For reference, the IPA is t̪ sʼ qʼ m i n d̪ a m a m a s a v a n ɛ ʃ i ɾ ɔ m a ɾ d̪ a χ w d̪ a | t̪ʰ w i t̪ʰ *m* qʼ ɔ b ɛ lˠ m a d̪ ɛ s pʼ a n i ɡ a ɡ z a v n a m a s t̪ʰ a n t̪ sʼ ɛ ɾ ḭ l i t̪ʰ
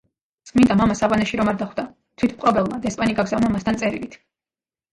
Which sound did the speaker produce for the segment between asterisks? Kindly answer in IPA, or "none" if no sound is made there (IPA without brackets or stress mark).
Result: m